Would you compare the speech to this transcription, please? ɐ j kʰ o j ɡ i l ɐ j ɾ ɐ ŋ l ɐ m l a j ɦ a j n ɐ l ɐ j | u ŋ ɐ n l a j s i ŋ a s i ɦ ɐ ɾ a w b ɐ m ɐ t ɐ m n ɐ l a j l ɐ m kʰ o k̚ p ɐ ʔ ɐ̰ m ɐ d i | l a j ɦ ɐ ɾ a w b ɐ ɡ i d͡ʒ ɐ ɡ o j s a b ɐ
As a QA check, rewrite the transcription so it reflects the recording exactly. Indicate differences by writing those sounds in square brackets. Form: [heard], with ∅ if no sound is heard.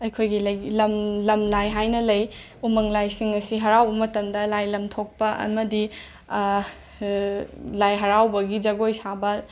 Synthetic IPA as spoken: ɐ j kʰ o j ɡ i l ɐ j [l] ɐ [m] l ɐ m l a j ɦ a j n ɐ l ɐ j | u [m] ɐ [ŋ] l a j s i ŋ [ɐ] s i ɦ ɐ ɾ a w b ɐ m ɐ t ɐ m [d] ɐ l a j l ɐ m [tʰ] o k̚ p ɐ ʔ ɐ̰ m ɐ d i | l a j ɦ ɐ ɾ a w b ɐ ɡ i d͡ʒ ɐ ɡ o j s a b ɐ